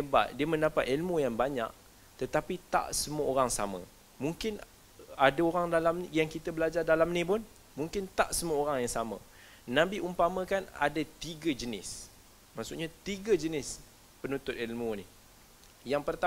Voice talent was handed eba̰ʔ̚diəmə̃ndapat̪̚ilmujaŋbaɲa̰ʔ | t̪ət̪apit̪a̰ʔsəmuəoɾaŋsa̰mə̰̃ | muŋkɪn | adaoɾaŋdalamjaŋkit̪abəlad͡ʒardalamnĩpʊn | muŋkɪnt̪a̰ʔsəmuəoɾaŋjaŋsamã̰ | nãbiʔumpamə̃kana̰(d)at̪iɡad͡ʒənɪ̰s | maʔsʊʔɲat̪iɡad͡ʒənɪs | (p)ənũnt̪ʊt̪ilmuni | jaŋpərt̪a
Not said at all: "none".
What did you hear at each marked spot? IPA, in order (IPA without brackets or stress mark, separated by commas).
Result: d, p